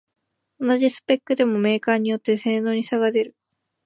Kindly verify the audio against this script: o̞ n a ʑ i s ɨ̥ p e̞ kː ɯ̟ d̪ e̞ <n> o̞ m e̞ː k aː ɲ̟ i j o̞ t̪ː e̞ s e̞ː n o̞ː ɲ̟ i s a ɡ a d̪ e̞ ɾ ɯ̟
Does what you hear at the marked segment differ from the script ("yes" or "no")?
yes